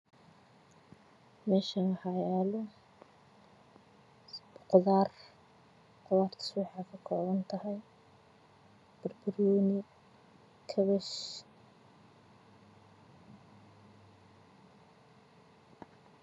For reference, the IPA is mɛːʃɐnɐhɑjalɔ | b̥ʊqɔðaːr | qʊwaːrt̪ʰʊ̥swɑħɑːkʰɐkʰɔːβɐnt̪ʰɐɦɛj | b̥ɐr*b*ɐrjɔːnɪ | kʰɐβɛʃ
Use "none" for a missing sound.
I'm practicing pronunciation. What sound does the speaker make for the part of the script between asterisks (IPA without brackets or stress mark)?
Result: b